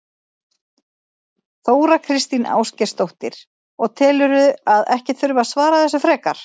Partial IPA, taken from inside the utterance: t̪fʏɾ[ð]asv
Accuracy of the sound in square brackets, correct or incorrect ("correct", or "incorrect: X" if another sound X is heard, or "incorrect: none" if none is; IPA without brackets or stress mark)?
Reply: incorrect: v